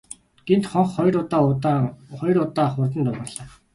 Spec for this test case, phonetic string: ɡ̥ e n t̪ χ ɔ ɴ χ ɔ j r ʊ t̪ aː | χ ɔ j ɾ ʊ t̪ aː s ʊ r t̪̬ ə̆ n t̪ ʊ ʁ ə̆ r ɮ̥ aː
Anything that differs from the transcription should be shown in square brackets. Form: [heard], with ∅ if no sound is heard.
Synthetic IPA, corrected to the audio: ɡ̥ e n t̪ χ ɔ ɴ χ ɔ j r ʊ t̪ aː | χ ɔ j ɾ ʊ t̪ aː [χ] ʊ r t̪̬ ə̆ n t̪ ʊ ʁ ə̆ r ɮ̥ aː